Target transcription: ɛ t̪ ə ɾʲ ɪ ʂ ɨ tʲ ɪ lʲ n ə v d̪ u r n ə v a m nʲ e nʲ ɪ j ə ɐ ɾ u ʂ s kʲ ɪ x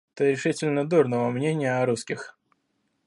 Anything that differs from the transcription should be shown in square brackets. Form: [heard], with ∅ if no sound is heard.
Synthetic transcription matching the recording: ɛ t̪ ə ɾʲ ɪ ʂ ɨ tʲ ɪ lʲ n ə [∅] d̪ u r n ə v [ə] m nʲ e nʲ ɪ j ə ɐ ɾ u [∅] s kʲ ɪ x